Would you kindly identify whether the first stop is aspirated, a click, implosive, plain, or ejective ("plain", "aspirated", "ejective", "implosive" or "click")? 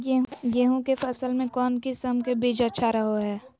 plain